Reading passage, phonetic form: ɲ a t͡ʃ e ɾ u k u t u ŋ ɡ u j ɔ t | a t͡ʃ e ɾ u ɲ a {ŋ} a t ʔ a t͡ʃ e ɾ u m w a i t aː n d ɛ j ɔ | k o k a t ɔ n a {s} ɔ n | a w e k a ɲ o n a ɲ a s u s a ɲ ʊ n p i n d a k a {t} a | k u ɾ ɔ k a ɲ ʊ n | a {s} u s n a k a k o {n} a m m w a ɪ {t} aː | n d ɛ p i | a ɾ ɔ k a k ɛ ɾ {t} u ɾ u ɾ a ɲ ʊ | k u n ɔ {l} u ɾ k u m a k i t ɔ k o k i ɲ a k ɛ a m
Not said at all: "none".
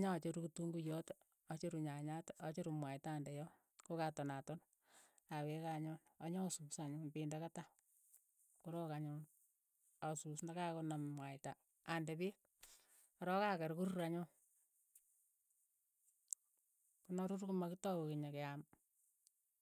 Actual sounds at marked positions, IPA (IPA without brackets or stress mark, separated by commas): ɲ, t, t, s, n, t, k, ɾ